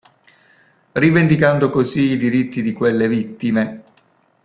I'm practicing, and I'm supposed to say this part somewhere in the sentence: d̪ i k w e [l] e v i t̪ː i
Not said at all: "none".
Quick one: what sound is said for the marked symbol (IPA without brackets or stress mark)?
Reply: lː